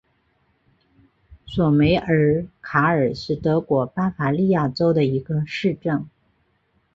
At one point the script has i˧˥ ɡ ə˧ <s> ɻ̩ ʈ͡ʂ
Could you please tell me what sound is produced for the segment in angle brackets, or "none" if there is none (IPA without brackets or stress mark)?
ʂ